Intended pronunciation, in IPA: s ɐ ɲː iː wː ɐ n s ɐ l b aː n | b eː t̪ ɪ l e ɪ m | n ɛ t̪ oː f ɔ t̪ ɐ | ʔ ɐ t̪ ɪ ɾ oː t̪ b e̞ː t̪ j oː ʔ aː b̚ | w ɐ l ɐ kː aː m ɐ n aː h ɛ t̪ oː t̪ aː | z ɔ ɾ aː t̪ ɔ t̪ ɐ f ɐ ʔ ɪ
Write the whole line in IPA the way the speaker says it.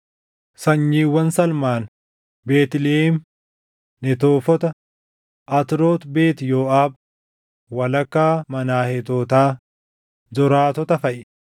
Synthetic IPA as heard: s ɐ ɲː iː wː ɐ n s ɐ l m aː n | b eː t̪ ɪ l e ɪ m | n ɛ t̪ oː f ɔ t̪ ɐ | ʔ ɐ t̪ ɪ ɾ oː t̪ b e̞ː t̪ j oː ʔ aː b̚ | w ɐ l ɐ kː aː m ɐ n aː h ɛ t̪ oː t̪ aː | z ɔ ɾ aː t̪ ɔ t̪ ɐ f ɐ ʔ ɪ